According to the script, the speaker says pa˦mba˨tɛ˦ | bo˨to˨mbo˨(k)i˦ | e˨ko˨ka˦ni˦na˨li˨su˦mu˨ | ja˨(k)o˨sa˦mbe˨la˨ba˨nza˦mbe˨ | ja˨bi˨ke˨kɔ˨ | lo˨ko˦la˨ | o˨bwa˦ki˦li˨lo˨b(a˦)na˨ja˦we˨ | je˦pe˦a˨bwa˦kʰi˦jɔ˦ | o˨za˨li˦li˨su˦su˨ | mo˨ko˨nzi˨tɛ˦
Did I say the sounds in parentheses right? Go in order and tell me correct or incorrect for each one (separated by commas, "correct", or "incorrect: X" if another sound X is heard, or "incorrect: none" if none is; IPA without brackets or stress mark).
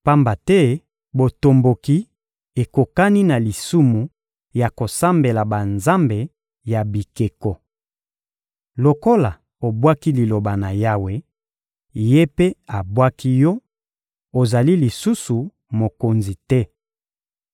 correct, correct, incorrect: a˨